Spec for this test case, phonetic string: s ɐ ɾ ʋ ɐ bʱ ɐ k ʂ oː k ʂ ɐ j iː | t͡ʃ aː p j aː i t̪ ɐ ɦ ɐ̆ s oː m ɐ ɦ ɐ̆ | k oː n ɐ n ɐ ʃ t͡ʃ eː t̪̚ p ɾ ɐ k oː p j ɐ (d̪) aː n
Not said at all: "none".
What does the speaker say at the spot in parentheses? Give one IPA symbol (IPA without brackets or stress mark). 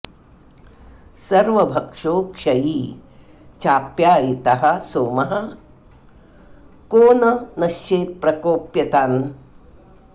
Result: t̪